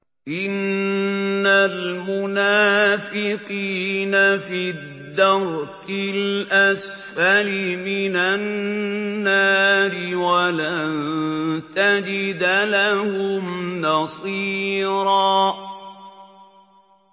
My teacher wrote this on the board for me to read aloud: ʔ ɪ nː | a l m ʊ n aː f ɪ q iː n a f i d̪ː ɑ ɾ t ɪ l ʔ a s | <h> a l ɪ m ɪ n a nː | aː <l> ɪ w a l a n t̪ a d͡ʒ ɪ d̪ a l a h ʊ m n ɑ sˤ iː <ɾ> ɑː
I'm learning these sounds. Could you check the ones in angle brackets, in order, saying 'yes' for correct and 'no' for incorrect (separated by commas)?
no, no, yes